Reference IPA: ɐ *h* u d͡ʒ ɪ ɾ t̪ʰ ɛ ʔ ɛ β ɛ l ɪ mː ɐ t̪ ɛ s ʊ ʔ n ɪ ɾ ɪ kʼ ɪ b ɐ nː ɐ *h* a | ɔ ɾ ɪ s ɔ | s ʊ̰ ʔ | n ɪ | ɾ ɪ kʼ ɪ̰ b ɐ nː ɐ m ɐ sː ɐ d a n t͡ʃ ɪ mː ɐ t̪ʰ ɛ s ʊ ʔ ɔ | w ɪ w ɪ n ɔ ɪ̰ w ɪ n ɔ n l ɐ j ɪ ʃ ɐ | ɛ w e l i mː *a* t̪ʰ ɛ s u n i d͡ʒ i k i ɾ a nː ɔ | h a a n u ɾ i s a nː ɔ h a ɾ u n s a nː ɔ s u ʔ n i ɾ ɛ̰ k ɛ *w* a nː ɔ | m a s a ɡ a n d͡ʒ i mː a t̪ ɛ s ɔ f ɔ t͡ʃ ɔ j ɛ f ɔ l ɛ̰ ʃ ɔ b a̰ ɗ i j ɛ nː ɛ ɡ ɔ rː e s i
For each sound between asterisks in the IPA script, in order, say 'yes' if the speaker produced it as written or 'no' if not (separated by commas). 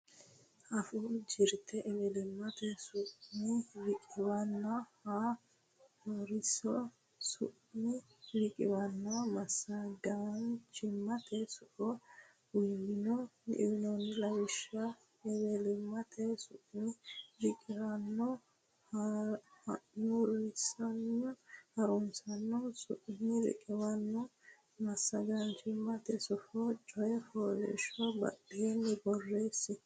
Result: no, yes, yes, yes